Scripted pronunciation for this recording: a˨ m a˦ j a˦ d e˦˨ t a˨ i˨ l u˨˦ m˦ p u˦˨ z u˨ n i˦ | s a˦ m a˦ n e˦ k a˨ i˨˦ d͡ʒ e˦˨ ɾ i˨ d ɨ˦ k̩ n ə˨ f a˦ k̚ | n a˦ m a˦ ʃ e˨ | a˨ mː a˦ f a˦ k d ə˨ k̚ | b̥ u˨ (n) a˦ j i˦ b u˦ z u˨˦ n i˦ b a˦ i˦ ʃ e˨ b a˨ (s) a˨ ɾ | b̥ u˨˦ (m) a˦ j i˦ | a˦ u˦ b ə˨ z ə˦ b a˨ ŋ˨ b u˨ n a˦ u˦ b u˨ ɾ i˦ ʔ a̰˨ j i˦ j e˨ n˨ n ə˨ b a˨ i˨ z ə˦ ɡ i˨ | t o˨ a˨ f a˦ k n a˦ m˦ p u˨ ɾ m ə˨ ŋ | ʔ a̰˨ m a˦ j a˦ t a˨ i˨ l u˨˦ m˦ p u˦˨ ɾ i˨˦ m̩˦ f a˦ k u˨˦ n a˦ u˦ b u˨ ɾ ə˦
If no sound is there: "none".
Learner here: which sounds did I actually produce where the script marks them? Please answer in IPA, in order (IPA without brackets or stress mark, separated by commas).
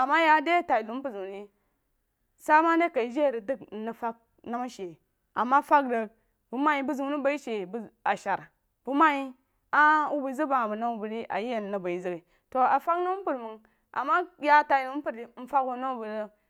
m, ʃ, m